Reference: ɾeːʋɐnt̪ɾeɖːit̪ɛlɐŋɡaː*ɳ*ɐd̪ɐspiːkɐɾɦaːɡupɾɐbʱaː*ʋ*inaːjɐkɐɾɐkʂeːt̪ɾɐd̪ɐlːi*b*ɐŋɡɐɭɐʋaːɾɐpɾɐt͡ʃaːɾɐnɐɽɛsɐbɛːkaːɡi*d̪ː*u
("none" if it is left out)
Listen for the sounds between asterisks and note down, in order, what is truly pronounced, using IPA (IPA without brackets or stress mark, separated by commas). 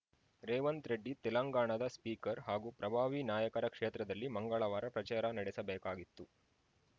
ɳ, ʋ, m, t̪ː